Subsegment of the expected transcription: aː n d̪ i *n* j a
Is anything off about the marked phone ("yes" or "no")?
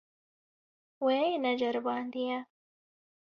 yes